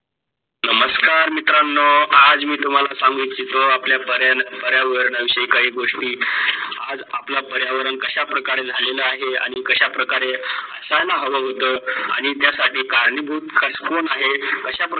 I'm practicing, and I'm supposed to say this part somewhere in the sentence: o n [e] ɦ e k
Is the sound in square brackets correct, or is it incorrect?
incorrect: a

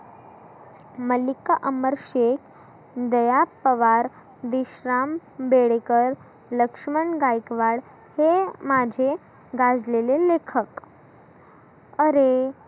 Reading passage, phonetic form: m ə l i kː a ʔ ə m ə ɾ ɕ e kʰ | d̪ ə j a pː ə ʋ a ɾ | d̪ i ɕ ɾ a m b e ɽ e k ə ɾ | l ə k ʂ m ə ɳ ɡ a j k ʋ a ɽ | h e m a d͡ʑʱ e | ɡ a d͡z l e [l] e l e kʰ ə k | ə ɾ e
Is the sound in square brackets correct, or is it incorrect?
correct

